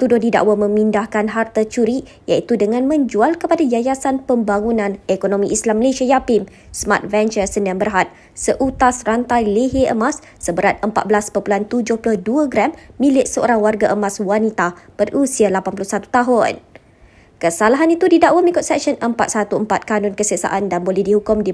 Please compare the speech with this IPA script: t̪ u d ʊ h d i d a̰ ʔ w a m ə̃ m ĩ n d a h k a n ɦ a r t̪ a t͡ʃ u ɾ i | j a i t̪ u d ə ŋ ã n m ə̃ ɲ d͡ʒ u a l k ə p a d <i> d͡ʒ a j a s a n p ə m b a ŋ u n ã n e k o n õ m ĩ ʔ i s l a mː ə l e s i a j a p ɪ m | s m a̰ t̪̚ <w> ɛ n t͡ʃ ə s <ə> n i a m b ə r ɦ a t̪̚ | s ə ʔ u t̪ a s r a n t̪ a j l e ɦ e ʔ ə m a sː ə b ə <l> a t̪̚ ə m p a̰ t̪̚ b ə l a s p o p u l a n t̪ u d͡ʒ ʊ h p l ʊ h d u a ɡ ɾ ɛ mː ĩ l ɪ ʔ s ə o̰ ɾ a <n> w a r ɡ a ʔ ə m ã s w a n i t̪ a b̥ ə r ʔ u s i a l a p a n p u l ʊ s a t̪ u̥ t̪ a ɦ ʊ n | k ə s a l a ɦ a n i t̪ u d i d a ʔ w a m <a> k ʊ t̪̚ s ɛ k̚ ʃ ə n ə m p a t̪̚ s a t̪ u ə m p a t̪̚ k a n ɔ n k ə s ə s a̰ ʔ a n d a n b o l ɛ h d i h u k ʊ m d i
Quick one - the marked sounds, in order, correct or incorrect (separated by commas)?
incorrect, incorrect, correct, incorrect, incorrect, incorrect